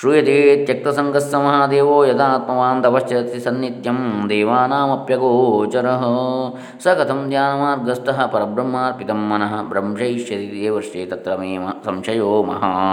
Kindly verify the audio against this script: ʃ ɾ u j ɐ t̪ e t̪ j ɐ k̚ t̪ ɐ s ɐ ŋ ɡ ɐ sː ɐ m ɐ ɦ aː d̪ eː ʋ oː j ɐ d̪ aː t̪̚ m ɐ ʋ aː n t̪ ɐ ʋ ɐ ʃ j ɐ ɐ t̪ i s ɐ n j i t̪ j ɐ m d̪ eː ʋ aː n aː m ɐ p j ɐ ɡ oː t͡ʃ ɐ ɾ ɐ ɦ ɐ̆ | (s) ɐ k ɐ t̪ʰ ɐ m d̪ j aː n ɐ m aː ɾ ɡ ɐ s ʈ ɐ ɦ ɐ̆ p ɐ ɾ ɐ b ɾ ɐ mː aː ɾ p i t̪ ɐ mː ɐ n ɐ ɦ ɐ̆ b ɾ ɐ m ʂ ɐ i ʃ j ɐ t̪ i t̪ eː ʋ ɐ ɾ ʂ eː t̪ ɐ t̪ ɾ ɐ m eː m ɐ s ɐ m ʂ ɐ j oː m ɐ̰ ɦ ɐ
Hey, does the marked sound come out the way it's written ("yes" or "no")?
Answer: yes